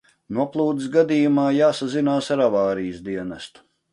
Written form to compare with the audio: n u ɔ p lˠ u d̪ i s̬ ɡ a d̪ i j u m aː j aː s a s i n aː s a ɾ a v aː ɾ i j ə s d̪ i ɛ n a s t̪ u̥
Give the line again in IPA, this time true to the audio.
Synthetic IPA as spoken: n u ɔ p lˠ uː d̪ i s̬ ɡ a d̪ i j u m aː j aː s a z i n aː s a ɾ a v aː ɾ i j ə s d̪ i ɛ n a s t̪ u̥